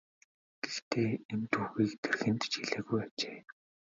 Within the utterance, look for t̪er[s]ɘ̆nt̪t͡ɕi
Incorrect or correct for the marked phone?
incorrect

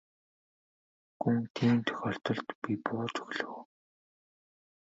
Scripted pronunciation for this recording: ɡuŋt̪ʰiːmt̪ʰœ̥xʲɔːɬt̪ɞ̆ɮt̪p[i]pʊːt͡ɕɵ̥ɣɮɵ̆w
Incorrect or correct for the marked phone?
correct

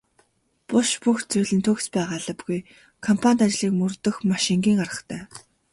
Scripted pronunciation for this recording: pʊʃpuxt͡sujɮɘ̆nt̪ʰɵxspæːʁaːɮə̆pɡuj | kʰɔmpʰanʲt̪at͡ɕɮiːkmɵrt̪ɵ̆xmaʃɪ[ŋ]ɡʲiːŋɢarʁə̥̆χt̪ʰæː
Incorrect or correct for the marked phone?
correct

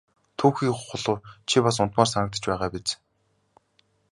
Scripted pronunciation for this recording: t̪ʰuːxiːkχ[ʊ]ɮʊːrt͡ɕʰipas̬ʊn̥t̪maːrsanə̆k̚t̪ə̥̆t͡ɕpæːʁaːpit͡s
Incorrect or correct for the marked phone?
correct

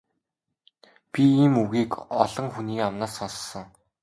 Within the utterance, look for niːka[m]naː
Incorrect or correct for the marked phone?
correct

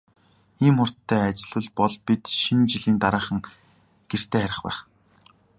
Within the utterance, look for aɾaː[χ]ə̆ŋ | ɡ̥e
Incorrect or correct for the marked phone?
correct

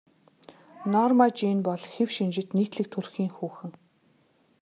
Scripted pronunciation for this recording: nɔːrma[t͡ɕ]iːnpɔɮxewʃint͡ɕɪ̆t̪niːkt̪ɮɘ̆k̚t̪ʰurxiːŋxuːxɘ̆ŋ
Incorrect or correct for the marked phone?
correct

